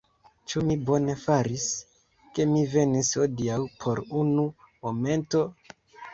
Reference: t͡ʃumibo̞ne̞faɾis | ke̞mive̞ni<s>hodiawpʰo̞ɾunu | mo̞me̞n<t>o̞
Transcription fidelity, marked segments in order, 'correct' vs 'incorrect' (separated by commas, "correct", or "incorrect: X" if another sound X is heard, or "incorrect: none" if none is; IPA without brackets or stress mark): correct, correct